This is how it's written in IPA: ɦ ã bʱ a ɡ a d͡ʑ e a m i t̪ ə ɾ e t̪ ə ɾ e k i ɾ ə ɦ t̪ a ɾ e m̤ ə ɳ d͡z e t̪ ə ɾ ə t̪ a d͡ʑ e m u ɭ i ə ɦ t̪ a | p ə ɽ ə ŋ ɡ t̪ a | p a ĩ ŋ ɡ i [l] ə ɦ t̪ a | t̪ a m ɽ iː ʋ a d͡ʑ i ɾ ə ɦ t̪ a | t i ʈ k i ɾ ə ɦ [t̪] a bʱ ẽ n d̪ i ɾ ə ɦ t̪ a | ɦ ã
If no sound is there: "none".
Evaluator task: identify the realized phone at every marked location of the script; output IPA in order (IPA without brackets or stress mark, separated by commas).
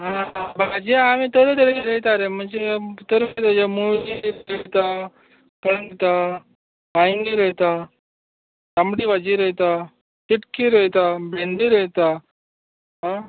ɾ, t̪